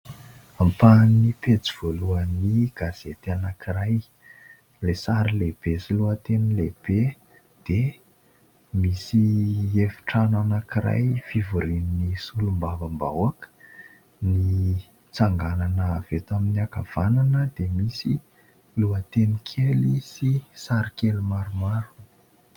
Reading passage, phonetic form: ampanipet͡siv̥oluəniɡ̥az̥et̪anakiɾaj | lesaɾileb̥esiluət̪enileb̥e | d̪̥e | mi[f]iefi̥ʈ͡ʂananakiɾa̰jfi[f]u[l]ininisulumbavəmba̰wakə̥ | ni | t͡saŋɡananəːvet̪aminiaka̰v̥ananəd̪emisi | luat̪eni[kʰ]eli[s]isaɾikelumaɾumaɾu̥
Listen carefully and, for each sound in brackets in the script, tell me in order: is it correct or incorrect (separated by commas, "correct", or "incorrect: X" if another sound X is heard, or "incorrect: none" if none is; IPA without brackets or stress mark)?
incorrect: s, incorrect: v, incorrect: ɾ, correct, correct